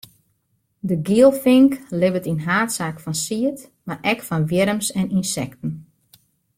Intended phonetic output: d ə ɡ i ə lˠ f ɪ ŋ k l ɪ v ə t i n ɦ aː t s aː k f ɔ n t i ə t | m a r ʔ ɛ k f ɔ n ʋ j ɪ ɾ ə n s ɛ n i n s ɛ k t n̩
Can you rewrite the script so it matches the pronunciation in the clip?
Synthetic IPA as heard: d ə ɡ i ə lˠ f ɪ ŋ k l ɪ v ə t i n ɦ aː t s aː k f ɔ n s i ə t | m a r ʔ ɛ k f ɔ n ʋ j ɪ ɾ ə m s ɛ n i n s ɛ k t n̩